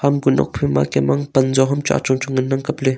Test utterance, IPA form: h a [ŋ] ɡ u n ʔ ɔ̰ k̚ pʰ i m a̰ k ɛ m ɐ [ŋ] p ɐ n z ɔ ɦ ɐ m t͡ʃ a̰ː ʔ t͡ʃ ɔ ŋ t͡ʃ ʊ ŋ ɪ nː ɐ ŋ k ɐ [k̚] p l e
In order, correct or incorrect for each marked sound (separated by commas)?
incorrect, correct, incorrect